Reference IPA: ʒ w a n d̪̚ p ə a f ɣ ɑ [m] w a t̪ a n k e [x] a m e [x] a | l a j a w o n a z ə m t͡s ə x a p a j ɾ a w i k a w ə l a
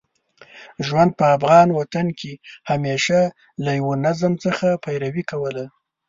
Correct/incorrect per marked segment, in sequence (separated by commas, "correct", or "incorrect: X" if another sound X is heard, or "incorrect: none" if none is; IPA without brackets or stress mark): incorrect: n, incorrect: h, incorrect: ʃ